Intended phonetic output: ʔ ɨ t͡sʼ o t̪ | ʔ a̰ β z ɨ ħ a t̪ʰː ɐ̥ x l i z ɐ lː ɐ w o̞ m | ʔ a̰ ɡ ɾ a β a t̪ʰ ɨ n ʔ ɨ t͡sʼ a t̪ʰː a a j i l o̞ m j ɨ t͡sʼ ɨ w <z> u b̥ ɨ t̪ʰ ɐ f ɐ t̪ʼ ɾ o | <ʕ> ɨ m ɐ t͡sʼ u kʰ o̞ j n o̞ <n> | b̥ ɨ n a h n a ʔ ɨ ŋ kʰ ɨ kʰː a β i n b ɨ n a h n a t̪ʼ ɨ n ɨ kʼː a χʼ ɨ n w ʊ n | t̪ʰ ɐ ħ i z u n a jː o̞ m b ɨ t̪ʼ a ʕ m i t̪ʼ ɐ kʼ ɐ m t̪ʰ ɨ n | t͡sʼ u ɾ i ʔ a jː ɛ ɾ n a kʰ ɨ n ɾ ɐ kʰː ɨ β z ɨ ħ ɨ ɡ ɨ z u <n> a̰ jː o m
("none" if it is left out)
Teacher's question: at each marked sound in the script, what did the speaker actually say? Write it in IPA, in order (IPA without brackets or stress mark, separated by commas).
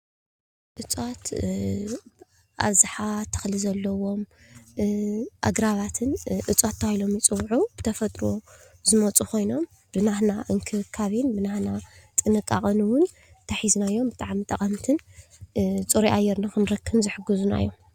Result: ʕ, z, m, n